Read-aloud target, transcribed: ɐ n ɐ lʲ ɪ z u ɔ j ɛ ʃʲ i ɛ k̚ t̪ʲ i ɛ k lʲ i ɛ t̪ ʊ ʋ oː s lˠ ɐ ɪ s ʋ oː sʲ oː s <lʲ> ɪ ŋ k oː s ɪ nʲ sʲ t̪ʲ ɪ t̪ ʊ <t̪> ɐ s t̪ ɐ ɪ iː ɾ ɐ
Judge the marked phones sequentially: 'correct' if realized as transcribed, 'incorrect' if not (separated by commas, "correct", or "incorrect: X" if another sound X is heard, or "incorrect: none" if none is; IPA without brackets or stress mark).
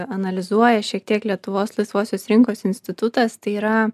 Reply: incorrect: ɾʲ, correct